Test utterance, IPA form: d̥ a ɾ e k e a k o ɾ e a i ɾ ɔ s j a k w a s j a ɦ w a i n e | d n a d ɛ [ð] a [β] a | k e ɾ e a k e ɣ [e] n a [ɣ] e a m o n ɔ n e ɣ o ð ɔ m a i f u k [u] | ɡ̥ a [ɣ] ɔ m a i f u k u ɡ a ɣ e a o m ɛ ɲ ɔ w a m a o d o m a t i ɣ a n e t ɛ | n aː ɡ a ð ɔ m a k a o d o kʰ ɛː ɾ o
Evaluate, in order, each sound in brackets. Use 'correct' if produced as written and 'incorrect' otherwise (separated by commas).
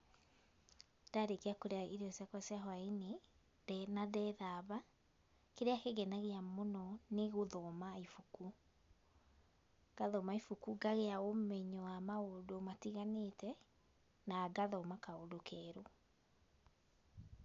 correct, correct, incorrect, correct, correct, incorrect